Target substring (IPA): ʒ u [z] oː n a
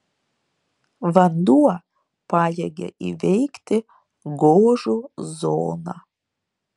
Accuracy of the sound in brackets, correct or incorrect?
correct